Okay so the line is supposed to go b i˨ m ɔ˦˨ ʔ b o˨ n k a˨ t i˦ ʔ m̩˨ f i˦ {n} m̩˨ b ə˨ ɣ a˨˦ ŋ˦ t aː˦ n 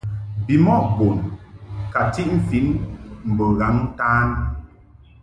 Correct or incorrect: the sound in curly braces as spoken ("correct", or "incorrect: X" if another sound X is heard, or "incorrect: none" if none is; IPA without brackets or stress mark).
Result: correct